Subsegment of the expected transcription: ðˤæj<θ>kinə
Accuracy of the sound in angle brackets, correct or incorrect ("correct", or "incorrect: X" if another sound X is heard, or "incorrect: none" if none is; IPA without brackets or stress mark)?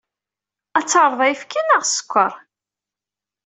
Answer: incorrect: f